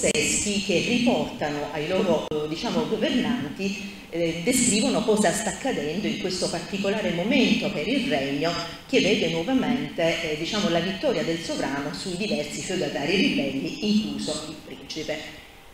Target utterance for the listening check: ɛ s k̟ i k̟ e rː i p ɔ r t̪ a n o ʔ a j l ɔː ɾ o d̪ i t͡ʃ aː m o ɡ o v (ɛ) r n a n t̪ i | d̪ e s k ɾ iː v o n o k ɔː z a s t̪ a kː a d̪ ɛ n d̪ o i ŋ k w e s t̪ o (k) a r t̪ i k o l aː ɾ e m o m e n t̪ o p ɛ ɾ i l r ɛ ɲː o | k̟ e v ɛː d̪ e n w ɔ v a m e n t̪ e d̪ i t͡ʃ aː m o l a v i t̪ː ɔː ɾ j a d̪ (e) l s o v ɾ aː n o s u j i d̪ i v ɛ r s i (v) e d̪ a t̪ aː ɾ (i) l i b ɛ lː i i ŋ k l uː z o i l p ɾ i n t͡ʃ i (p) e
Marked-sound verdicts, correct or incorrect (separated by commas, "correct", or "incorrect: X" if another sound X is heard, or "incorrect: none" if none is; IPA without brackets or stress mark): incorrect: e, incorrect: p, correct, incorrect: f, correct, correct